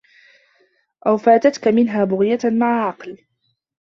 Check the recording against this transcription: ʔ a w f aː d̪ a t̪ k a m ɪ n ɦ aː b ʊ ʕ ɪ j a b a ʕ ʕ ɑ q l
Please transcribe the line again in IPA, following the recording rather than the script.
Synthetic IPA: ʔ a w f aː t̪ a t̪ k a m ɪ n ɦ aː b ʊ ɣ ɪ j a m a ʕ ʕ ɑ q l